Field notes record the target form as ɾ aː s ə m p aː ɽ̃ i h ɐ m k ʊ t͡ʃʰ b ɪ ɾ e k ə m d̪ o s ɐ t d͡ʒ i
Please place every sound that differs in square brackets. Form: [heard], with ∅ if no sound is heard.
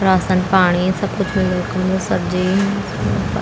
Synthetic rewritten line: ɾ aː s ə [n] p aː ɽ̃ i [s] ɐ [b] k ʊ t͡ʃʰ [m] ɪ [l] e k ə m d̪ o s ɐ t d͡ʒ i